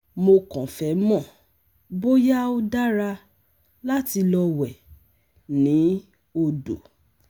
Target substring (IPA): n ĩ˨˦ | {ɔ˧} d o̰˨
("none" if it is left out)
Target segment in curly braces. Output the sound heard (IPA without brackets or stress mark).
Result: o˧